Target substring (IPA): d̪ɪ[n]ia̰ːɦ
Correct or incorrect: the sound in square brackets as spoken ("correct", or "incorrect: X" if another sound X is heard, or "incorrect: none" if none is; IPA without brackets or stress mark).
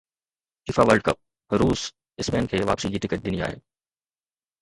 correct